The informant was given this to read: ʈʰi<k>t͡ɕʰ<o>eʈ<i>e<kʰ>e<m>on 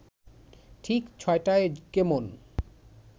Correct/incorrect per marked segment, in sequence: correct, incorrect: ɔ, incorrect: a, incorrect: k, correct

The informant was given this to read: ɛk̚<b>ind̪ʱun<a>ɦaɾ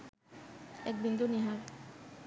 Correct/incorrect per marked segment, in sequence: correct, incorrect: i

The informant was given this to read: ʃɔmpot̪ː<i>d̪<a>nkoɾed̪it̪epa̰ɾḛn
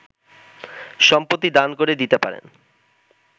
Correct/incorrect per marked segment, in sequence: correct, correct

